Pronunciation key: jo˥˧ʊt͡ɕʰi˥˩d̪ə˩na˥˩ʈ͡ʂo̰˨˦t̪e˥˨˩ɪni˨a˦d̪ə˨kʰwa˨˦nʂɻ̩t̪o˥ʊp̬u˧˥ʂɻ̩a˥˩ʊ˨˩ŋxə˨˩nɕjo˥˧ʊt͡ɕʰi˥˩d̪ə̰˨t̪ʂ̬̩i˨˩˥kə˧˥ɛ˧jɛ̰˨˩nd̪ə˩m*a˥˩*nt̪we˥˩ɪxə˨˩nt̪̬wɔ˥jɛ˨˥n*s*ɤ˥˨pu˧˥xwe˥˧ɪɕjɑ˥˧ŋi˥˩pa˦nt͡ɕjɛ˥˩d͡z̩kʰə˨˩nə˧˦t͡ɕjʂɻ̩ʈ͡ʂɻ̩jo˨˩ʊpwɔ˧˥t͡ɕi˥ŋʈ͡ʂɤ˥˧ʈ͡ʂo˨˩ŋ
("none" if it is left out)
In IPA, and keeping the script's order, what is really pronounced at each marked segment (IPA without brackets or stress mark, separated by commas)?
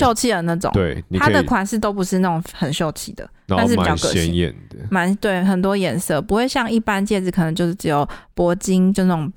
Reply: a˧˦, s